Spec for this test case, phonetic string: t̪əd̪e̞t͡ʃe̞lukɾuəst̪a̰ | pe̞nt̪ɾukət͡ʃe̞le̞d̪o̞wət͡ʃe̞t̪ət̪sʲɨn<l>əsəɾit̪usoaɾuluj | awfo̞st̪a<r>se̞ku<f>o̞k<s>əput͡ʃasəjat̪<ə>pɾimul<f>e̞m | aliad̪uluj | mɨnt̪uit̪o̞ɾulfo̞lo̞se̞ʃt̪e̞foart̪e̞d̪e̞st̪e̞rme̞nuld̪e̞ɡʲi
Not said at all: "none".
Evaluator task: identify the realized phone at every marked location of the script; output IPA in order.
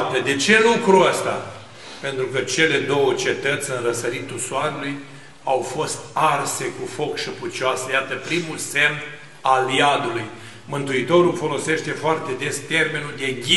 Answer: r, r, f, ʃ, ə, s

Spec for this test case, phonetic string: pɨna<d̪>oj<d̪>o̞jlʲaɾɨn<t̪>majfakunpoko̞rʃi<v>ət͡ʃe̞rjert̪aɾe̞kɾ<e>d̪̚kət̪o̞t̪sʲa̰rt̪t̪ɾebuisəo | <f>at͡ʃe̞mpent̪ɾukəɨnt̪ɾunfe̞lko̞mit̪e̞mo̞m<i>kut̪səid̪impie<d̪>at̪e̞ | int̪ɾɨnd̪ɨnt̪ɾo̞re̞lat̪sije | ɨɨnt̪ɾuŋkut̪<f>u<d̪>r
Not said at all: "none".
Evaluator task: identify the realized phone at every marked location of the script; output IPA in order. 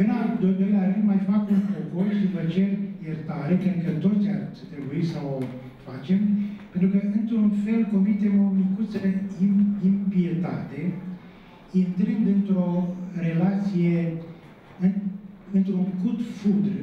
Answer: d̪, d̪, d̪, v, e, f, i, t̪, f, d̪

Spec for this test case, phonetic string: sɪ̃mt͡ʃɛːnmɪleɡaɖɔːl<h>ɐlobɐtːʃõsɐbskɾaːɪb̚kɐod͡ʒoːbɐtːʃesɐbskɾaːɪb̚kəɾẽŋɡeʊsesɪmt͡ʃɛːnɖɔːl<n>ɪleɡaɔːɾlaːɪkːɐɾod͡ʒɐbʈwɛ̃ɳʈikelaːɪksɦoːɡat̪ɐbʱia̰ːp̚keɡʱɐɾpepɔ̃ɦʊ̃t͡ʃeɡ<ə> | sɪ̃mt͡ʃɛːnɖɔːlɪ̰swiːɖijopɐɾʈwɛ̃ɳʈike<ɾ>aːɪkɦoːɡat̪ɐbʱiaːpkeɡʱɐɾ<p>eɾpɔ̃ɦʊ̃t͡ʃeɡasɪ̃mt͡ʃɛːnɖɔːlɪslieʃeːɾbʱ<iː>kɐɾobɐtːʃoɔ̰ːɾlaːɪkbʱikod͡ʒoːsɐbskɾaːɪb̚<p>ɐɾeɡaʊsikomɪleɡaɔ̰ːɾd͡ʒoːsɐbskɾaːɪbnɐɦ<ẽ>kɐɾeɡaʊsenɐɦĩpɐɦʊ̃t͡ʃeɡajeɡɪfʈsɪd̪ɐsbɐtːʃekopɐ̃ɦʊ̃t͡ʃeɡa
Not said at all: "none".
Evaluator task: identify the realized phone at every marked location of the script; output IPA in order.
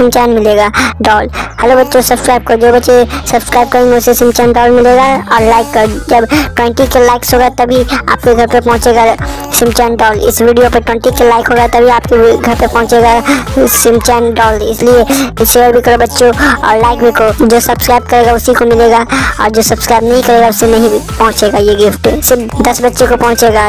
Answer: h, m, a, l, p, i, k, ĩ

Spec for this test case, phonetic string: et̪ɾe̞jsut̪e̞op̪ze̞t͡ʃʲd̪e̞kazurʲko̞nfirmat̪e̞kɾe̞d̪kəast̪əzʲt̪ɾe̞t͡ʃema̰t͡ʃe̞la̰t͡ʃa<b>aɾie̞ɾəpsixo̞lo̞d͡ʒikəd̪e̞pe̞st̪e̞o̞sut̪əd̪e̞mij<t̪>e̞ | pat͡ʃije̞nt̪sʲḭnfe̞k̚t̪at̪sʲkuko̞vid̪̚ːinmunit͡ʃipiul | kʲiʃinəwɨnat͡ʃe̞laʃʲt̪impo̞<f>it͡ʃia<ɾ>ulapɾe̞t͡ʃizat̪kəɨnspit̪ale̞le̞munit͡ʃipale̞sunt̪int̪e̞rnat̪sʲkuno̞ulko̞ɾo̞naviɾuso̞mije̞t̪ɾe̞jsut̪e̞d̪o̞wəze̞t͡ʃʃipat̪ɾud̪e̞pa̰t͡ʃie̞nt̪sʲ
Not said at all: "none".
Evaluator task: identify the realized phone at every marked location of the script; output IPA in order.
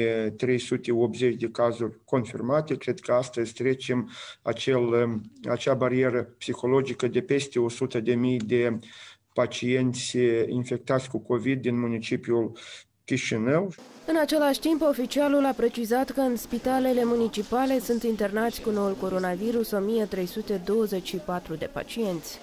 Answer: b, d̪, f, l

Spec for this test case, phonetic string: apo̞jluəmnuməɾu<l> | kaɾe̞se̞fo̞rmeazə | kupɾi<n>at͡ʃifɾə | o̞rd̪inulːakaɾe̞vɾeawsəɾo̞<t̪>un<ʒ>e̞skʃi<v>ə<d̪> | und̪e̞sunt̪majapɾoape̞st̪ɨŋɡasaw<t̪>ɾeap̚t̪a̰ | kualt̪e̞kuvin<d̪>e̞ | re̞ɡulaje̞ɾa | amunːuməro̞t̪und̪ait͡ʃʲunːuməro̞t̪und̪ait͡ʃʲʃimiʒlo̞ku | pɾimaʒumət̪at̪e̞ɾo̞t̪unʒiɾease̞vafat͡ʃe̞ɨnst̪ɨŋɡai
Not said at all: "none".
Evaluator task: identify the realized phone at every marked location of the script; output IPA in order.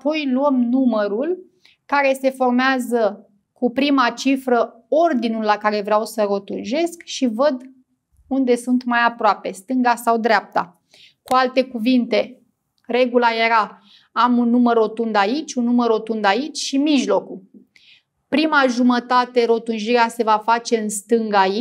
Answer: l, m, t̪, ʒ, v, d̪, d̪, t̪

